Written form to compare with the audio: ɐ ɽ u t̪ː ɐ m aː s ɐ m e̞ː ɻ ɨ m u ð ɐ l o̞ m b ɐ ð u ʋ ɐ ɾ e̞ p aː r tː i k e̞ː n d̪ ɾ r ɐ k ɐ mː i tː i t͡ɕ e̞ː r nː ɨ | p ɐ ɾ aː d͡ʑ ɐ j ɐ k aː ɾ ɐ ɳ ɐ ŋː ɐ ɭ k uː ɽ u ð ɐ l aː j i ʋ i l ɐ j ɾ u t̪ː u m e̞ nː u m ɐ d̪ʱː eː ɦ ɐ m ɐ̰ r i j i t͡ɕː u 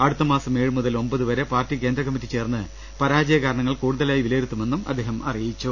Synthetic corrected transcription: ɐ ɽ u t̪ː ɐ m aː s ɐ m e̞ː ɻ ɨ m u ð ɐ l o̞ m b ɐ ð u ʋ ɐ ɾ e̞ p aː r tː i k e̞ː n d̪ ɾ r ɐ k ɐ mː i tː i t͡ɕ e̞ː r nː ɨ | p ɐ ɾ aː d͡ʑ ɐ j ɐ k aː ɾ ɐ ɳ ɐ ŋː ɐ ɭ k uː ɽ u ð ɐ l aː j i ʋ i l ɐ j ɾ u t̪ː u m e̞ nː u m ɐ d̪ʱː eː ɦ ɐ m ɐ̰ r i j i t͡ɕː u